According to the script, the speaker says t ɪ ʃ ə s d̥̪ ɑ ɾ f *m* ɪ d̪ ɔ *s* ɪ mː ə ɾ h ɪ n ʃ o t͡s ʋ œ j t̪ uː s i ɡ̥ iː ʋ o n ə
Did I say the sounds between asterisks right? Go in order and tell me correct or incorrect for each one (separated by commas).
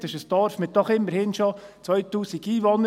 correct, incorrect